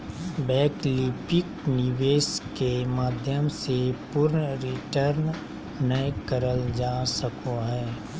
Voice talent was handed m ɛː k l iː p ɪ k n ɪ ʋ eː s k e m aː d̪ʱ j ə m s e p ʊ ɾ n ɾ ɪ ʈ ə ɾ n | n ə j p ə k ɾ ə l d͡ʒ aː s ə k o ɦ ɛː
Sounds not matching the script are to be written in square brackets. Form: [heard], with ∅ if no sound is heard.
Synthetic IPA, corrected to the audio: [b] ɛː k l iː p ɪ k n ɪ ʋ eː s k e m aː d̪ʱ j ə m s e p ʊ ɾ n ɾ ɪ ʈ ə ɾ n | n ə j [k] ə [∅] ɾ ə l d͡ʒ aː s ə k o ɦ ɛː